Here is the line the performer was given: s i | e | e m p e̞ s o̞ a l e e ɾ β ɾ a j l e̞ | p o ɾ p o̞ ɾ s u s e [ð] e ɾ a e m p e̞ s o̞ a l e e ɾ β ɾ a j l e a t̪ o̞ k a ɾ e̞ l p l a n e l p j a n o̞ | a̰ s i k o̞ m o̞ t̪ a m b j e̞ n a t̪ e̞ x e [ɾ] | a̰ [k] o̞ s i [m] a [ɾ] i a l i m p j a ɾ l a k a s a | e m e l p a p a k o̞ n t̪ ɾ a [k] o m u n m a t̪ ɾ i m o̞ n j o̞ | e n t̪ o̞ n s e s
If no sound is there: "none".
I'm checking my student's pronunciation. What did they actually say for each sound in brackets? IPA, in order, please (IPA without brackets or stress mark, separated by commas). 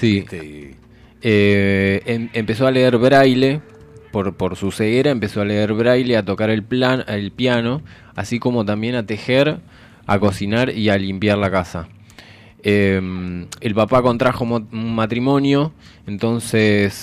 ɣ, ɾ, k, n, ɾ, x